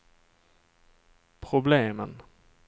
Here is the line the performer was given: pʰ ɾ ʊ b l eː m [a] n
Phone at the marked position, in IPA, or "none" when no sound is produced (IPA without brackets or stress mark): ə